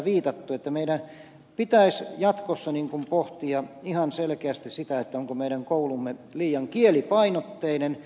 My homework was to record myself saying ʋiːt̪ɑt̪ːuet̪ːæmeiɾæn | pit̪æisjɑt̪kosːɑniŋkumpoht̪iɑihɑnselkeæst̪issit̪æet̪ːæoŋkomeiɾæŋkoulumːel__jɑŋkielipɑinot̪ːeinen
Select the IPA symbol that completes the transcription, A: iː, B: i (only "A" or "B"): A